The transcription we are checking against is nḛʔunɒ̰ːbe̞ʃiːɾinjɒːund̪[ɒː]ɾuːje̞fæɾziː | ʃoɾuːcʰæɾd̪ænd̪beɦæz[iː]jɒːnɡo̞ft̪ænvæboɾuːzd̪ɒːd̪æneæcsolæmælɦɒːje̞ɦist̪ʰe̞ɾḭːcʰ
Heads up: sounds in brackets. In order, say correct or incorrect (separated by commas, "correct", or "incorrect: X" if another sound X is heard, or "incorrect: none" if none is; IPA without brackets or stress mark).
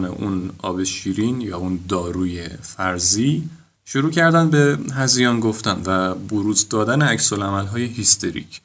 correct, incorrect: i